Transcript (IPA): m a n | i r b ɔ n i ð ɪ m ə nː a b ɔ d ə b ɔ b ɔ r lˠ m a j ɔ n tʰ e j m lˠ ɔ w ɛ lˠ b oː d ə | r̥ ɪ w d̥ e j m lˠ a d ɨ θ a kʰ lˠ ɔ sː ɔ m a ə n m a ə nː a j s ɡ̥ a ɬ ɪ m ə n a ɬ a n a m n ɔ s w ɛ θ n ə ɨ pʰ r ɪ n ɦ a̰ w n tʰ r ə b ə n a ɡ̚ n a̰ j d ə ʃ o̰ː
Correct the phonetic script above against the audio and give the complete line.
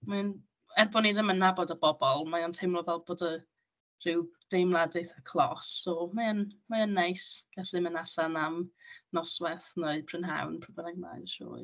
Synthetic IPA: m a n | ɛ r b ɔ n i ð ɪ m ə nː a b ɔ d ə b ɔ b ɔ lˠ m a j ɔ n tʰ e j m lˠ ɔ v ɛ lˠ b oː d ə | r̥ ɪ w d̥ e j m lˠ a d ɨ θ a kʰ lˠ ɔ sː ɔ m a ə n m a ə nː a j s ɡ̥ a ɬ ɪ m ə n a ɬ a n a m n ɔ s w ɛ θ n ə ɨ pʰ r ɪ n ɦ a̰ w n pʰ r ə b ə n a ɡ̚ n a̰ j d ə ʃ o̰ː